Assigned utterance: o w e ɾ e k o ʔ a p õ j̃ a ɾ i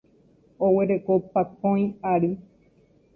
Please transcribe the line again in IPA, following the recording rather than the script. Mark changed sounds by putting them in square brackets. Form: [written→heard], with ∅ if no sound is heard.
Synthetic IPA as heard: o w e ɾ e k o [ʔ→p] a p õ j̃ a ɾ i